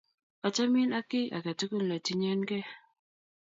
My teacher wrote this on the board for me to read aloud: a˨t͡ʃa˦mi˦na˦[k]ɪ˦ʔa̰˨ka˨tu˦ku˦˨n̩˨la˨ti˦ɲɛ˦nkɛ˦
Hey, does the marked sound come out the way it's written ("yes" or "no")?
yes